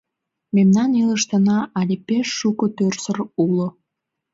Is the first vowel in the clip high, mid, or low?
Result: mid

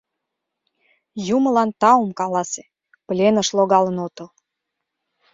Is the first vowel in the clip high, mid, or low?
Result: high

